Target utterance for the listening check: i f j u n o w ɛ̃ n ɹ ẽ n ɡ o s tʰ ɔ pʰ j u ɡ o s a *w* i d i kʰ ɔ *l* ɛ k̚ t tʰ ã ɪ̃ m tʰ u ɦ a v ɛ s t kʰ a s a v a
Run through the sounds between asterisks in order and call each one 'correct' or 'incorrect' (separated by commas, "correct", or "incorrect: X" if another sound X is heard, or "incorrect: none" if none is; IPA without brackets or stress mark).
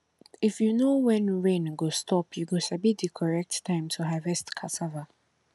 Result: incorrect: b, incorrect: ɹ